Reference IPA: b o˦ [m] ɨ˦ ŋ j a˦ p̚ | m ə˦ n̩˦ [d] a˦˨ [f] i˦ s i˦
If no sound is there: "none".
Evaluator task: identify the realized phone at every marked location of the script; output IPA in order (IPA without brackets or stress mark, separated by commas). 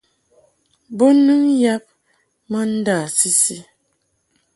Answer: n, d, s